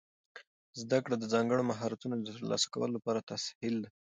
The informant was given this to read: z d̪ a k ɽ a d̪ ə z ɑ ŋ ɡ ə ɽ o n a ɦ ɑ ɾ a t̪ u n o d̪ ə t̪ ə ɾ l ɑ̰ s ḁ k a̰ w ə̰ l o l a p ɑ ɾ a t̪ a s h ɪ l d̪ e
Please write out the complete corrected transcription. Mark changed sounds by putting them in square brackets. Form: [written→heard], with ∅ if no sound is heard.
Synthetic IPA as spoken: z d̪ a k ɽ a d̪ ə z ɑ ŋ ɡ ə ɽ o [n→m] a ɦ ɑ ɾ a t̪ u n o d̪ ə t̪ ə ɾ l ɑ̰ s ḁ k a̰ w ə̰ l o l a p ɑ ɾ a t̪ a s h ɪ l d̪ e